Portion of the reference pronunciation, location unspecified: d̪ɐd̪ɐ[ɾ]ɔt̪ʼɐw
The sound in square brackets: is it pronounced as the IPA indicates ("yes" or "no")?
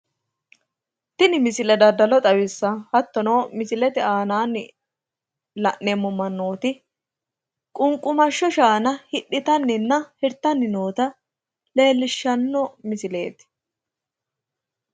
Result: no